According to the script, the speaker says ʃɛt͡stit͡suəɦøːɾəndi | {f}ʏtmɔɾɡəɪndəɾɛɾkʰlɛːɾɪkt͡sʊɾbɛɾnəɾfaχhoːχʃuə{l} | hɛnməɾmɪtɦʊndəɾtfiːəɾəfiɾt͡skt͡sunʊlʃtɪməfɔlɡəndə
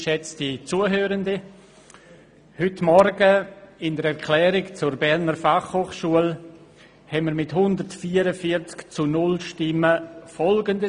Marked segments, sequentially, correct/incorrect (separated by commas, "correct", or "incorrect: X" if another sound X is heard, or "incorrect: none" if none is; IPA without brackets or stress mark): incorrect: h, correct